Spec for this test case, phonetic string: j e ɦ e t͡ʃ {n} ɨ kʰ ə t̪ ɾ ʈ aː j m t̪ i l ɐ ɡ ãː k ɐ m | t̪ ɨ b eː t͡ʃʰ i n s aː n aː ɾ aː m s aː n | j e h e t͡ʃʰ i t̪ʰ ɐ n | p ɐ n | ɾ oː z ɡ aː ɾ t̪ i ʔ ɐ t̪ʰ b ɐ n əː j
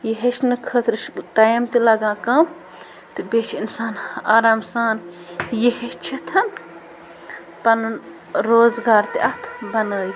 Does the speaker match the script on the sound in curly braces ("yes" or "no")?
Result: yes